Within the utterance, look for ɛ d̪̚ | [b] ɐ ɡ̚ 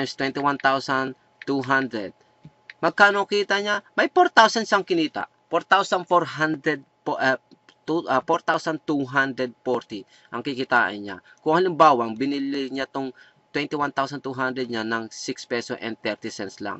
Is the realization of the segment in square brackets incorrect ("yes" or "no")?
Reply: yes